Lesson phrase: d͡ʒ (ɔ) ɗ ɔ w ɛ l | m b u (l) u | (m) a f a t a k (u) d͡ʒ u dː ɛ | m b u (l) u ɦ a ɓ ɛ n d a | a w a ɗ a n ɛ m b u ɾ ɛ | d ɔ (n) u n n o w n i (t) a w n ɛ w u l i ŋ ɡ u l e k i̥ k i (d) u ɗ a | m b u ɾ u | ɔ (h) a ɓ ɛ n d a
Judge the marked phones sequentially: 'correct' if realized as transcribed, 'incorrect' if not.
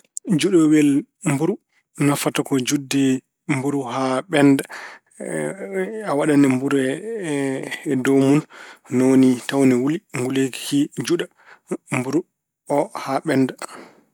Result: incorrect, incorrect, incorrect, incorrect, incorrect, incorrect, correct, incorrect, correct

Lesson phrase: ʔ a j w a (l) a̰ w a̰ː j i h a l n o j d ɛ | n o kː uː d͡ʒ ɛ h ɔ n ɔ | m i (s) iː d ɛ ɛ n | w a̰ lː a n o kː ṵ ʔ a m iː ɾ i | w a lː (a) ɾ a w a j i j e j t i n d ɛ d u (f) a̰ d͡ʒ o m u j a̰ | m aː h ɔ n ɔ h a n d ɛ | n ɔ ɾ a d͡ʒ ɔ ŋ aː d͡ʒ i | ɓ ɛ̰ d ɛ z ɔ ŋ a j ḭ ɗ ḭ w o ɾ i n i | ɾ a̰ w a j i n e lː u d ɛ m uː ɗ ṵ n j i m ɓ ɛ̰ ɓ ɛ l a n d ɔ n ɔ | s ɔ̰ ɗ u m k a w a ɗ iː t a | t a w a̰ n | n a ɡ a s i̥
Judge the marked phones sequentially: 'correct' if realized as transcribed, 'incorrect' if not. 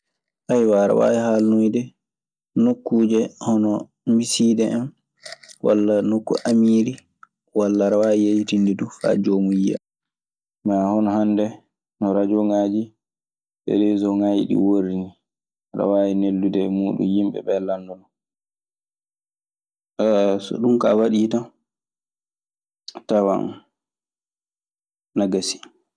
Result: incorrect, correct, correct, correct

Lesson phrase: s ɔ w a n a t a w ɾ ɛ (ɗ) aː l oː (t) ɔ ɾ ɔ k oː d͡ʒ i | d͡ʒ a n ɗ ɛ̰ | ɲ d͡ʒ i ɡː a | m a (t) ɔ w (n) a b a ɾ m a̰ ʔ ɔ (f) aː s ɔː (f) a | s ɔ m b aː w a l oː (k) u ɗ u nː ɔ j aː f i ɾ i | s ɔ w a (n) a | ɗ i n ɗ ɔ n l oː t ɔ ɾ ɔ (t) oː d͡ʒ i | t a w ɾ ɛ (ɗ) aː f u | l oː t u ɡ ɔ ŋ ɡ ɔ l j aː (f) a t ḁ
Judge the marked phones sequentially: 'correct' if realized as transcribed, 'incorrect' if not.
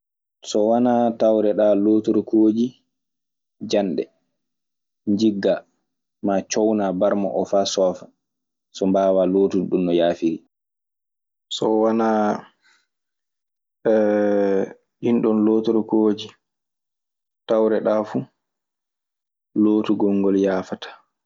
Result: correct, correct, incorrect, correct, correct, correct, incorrect, correct, incorrect, correct, correct

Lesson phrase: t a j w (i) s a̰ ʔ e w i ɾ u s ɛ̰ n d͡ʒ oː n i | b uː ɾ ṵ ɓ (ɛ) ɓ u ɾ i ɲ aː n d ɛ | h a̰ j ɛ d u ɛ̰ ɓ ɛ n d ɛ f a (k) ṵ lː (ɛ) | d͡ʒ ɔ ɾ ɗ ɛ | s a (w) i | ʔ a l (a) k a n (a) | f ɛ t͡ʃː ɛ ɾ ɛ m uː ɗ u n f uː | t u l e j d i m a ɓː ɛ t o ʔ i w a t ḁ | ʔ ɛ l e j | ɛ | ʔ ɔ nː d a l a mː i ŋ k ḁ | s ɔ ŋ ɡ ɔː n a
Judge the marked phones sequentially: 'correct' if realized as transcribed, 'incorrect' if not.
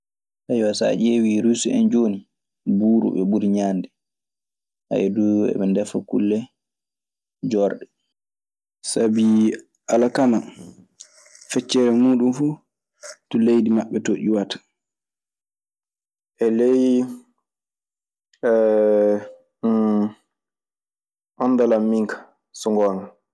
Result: incorrect, correct, correct, correct, incorrect, correct, correct

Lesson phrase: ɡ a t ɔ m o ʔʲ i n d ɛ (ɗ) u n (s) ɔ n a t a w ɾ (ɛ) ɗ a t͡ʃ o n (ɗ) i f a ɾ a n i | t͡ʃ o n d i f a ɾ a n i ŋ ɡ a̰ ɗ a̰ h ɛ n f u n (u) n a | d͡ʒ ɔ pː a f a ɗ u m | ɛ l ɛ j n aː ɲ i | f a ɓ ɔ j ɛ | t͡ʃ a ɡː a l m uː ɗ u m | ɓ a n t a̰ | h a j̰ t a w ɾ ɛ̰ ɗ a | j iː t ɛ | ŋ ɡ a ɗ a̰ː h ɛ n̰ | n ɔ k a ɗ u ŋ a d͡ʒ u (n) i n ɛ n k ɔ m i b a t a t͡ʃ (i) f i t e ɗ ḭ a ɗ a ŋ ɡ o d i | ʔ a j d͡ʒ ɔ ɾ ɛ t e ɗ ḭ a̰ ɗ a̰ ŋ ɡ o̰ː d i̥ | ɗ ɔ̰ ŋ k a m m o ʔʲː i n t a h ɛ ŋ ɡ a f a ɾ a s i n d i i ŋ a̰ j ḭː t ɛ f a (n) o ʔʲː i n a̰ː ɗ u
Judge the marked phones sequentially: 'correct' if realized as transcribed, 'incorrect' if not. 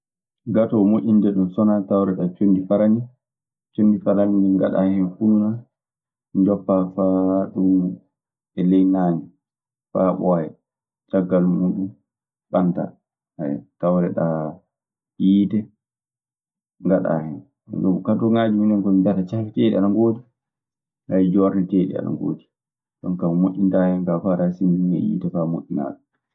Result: correct, correct, correct, incorrect, correct, incorrect, incorrect, incorrect

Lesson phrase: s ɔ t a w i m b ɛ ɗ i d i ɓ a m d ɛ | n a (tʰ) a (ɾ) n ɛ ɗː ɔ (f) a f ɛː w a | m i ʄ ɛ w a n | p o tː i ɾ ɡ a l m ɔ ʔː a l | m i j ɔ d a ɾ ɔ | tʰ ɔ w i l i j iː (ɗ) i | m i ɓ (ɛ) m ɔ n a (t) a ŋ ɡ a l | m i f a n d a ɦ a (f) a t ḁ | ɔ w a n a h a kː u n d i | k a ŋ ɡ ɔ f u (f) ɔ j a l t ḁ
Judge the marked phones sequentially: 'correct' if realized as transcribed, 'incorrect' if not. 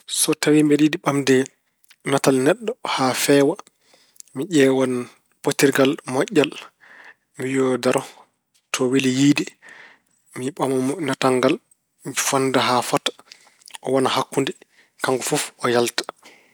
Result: incorrect, incorrect, incorrect, incorrect, incorrect, correct, correct, correct

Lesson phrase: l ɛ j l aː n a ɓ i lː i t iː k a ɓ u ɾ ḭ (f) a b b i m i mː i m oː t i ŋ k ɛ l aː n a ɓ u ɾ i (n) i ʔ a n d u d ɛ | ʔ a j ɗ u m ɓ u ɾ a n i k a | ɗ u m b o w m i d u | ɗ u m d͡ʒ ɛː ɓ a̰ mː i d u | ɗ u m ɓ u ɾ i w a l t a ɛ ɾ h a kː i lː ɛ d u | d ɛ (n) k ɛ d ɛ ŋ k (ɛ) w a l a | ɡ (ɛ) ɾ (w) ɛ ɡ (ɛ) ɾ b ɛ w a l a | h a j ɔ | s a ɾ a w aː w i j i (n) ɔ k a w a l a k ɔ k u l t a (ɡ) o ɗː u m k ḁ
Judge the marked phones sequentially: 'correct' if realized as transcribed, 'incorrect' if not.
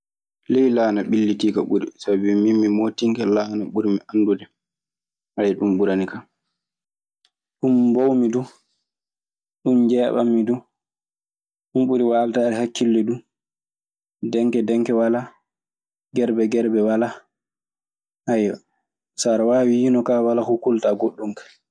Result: incorrect, incorrect, incorrect, correct, correct, incorrect, correct, correct, correct

